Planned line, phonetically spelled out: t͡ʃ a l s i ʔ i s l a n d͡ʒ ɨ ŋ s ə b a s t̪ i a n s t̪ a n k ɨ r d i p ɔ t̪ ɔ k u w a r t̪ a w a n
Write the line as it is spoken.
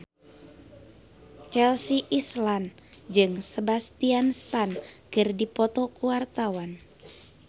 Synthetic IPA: t͡ʃ ɛ l s i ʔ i s l a n d͡ʒ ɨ ŋ s ə b a s t̪ i a n s t̪ a n k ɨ r d i p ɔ t̪ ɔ k u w a r t̪ a w a n